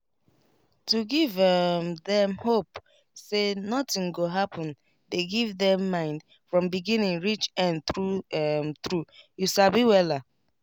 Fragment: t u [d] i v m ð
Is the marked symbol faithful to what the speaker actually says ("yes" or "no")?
no